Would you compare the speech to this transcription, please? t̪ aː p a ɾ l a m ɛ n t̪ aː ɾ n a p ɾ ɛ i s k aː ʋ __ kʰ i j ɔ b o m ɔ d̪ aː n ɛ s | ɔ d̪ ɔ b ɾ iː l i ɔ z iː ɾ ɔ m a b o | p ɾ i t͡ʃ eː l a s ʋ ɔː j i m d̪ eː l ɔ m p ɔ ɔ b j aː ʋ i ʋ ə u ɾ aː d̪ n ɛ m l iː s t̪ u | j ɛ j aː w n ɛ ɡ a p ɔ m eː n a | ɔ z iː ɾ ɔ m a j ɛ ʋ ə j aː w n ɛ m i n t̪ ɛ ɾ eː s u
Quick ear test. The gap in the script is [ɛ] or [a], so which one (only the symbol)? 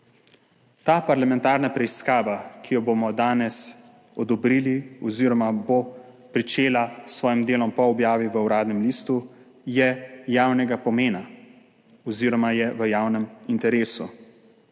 a